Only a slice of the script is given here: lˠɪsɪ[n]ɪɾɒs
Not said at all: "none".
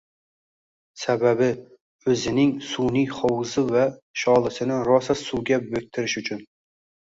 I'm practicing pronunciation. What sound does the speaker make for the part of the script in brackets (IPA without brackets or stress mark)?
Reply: n